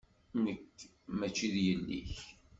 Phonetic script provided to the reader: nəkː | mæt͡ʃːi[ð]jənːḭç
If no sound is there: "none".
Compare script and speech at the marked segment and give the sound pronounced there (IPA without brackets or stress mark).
ð